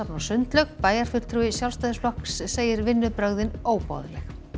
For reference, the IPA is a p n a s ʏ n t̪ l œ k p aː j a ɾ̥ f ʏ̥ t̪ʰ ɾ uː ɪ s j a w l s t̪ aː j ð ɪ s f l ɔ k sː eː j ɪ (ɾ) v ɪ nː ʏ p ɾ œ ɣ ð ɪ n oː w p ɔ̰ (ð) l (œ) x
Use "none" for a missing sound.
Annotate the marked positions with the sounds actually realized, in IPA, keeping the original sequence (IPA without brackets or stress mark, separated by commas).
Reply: ɾ, ð, ɛ